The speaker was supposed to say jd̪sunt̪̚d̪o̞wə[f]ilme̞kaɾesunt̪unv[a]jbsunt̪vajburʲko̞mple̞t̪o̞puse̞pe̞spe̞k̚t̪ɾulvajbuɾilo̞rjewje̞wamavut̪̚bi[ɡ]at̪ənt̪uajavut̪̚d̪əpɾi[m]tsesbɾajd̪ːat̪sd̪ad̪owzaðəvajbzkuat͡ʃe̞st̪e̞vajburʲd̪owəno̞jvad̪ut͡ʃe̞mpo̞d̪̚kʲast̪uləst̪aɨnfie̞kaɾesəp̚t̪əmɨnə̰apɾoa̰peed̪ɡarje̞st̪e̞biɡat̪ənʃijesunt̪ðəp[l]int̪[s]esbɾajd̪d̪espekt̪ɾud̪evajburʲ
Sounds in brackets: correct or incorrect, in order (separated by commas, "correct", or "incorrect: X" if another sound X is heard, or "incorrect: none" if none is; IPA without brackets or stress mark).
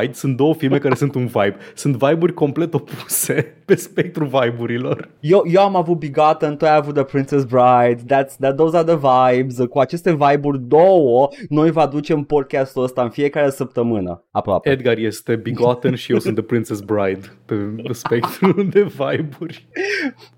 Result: correct, correct, correct, incorrect: n, incorrect: ɾ, correct